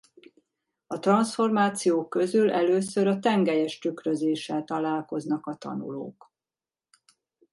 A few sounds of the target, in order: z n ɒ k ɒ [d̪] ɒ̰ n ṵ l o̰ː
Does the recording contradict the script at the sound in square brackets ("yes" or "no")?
yes